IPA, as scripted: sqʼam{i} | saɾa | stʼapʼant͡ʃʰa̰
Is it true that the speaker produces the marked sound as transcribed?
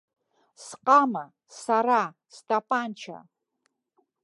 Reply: no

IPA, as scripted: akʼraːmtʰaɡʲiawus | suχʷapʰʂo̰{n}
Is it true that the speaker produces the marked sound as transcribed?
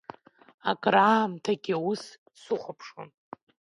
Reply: yes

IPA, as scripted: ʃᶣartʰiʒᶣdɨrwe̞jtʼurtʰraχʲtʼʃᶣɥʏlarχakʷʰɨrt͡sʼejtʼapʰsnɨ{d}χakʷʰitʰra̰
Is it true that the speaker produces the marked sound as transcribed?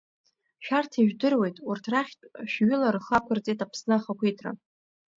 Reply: no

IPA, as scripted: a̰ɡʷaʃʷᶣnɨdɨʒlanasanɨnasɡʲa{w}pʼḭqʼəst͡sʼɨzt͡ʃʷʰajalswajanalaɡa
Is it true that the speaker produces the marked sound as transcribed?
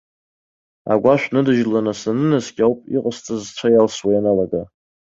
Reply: yes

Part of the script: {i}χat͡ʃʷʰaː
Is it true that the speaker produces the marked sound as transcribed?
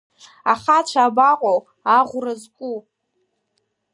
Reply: no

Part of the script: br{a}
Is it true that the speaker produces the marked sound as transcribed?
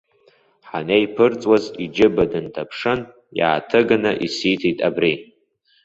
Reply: no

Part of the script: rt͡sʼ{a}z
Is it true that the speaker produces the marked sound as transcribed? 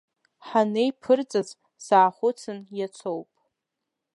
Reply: yes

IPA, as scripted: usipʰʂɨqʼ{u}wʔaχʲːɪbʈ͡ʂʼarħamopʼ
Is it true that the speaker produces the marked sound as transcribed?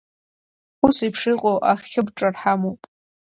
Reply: no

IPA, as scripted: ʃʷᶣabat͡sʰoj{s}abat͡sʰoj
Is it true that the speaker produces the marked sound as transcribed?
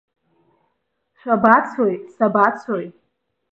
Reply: yes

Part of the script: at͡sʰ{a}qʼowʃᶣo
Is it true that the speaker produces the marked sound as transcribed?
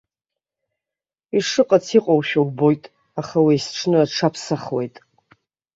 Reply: no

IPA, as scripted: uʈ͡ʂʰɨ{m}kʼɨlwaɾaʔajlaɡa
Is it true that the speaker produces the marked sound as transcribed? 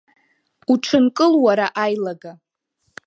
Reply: no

